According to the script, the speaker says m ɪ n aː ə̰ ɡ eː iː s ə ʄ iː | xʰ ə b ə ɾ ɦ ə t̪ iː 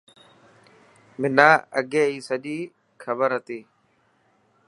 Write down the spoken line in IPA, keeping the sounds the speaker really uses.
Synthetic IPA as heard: m ɪ n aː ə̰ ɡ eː iː s ə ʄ iː | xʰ ə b ə ɾ ɦ ə t̪ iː